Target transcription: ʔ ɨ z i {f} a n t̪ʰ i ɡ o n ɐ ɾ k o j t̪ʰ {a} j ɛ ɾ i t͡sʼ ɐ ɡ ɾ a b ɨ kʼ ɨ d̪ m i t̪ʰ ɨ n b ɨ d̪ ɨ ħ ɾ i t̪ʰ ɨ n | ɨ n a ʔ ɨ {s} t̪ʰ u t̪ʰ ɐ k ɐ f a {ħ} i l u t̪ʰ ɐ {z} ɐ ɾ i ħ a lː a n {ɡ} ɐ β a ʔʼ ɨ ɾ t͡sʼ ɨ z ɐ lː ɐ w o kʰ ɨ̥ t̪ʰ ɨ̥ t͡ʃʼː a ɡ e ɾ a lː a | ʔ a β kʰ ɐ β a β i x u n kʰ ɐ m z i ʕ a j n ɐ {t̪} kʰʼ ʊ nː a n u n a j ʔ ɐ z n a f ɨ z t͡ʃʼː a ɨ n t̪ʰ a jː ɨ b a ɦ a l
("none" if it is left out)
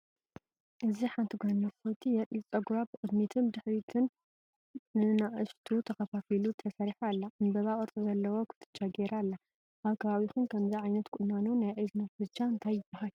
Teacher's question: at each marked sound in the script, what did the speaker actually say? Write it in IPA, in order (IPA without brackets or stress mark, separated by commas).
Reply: ħ, i, ʃ, f, s, b, t̪